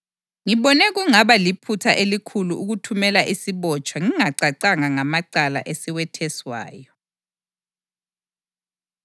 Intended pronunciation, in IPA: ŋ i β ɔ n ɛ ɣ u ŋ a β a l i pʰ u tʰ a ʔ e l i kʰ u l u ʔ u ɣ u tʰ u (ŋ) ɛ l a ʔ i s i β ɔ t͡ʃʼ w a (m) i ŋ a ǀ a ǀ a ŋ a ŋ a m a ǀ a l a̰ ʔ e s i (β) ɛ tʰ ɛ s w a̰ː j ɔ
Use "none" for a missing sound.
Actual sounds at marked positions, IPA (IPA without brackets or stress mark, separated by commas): m, ŋ, w